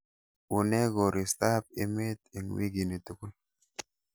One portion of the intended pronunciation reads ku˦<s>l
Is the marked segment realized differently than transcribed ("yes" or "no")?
yes